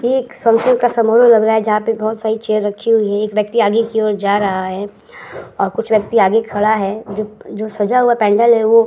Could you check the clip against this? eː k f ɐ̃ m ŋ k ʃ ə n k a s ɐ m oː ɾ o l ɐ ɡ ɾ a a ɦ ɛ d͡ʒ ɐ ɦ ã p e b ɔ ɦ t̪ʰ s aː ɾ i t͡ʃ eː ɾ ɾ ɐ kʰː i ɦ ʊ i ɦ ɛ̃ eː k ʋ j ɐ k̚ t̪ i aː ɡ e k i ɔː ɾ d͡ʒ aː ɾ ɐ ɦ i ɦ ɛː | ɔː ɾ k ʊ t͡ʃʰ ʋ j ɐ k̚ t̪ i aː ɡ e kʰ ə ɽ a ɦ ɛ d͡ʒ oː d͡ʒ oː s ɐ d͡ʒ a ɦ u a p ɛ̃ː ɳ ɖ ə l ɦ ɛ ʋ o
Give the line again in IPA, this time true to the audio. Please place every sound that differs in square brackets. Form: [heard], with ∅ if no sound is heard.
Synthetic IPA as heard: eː k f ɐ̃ [∅] ŋ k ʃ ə n k a s ɐ m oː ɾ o l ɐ ɡ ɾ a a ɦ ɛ d͡ʒ ɐ ɦ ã p e b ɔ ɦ [t̪] s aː ɾ i t͡ʃ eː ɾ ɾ ɐ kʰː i ɦ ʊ i ɦ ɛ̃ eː k ʋ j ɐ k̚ t̪ i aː ɡ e k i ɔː ɾ d͡ʒ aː ɾ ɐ ɦ [a] ɦ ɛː | ɔː ɾ k ʊ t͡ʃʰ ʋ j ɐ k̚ t̪ i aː ɡ e kʰ [ɐ] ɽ a ɦ ɛ d͡ʒ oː d͡ʒ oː s ɐ d͡ʒ a ɦ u a p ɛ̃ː ɳ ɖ ə l ɦ ɛ ʋ o

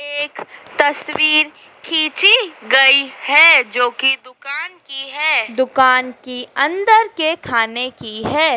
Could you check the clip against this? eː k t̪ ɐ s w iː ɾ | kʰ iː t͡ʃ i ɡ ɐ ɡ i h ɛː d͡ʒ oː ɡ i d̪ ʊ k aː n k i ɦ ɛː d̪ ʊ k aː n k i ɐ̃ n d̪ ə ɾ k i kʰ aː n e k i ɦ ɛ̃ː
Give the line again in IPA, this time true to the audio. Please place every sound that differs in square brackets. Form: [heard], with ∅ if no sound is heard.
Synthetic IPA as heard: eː k t̪ ɐ s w iː ɾ | kʰ iː t͡ʃ i ɡ ɐ [∅] i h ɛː d͡ʒ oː [k] i d̪ ʊ k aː n k i ɦ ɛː d̪ ʊ k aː n k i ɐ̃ n d̪ ə ɾ k [e] kʰ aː n e k i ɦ [ɛː]

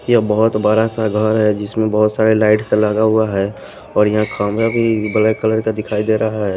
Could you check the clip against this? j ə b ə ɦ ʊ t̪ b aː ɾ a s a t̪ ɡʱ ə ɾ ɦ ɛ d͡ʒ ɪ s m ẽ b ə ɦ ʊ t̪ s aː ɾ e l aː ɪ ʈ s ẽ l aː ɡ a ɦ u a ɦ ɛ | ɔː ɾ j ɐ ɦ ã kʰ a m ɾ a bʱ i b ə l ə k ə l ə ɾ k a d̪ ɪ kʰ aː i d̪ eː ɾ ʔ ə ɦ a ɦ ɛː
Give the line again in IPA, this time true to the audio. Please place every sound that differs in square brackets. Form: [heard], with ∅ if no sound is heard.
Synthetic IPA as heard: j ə b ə ɦ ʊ t̪ b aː ɾ a s a [∅] ɡʱ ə ɾ ɦ ɛ d͡ʒ ɪ s m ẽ b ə ɦ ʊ t̪ s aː ɾ e l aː ɪ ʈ s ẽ l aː ɡ a ɦ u a ɦ ɛ | ɔː ɾ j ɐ ɦ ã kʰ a m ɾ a bʱ i b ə l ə k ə l ə ɾ k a d̪ ɪ kʰ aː i d̪ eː ɾ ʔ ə ɦ a ɦ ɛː

